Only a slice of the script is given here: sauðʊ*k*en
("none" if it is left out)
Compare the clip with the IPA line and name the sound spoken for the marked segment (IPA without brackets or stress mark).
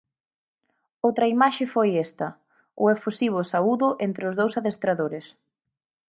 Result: ʔ